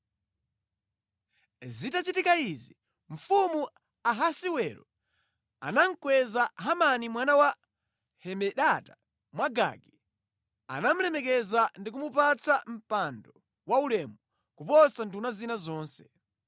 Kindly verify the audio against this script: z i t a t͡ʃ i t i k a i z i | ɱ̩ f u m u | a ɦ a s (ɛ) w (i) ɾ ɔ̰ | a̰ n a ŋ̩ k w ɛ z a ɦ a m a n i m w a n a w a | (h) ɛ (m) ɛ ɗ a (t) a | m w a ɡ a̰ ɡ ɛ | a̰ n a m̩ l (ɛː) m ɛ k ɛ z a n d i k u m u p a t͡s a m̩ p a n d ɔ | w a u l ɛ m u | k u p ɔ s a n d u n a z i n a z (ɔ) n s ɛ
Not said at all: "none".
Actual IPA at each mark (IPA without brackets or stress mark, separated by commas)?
i, ɛ, h, m, t, ɛ, ɔː